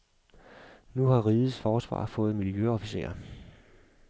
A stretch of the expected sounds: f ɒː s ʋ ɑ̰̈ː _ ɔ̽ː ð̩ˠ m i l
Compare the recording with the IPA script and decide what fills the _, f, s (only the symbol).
f